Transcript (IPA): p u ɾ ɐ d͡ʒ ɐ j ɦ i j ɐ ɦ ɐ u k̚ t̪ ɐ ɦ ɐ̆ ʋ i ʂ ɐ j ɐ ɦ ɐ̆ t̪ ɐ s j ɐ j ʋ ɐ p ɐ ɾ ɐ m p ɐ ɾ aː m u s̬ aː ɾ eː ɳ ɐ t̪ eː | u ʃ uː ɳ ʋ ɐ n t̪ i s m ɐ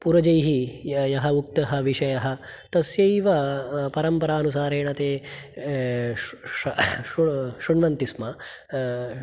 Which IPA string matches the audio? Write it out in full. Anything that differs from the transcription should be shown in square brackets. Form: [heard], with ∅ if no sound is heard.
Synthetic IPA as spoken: p u ɾ ɐ d͡ʒ ɐ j ɦ i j ɐ ɦ ɐ u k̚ t̪ ɐ ɦ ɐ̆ ʋ i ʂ ɐ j ɐ ɦ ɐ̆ t̪ ɐ s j ɐ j ʋ ɐ p ɐ ɾ ɐ m p ɐ ɾ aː [n] u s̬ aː ɾ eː ɳ ɐ t̪ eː | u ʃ [u] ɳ ʋ ɐ n t̪ i s m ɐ